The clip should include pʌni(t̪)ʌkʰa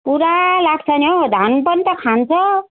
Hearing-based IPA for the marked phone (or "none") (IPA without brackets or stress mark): t̪